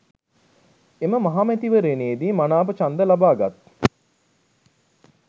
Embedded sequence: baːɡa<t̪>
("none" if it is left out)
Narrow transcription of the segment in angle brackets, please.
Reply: t̪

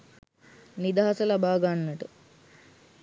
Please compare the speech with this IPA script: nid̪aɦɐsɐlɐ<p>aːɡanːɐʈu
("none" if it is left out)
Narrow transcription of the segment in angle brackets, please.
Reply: b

